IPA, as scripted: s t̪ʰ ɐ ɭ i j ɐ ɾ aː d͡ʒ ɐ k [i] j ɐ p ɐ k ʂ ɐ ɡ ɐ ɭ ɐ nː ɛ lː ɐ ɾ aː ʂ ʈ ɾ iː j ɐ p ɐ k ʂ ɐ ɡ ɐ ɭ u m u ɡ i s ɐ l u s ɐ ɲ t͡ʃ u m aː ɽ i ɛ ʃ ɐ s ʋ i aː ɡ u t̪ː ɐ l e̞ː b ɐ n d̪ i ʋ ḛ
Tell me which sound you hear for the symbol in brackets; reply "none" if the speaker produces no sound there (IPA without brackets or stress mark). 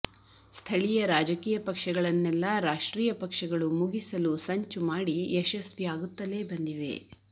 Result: iː